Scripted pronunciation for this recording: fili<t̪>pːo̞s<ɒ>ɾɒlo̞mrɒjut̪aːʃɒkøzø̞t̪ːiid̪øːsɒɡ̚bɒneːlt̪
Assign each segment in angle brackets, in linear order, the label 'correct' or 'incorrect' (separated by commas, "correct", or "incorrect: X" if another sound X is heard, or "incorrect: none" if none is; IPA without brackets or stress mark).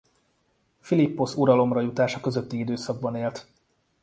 incorrect: none, incorrect: u